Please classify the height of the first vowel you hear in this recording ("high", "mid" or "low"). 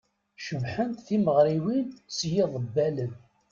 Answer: mid